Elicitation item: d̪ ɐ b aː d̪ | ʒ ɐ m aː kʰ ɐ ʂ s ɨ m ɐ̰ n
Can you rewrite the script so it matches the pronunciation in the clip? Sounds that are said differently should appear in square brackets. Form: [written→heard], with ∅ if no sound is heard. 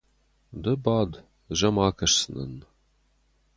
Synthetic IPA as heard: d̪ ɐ b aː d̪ | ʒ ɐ m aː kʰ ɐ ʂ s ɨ [m→n] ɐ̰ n